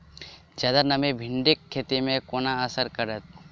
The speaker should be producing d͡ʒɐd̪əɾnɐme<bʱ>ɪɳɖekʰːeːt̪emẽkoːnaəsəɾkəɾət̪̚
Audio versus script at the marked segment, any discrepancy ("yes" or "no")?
no